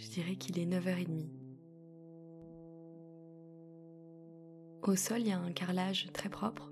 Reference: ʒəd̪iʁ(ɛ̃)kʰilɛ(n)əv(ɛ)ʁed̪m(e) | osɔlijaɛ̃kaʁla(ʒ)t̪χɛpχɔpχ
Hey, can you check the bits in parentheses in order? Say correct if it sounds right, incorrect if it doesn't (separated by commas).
incorrect, correct, incorrect, incorrect, correct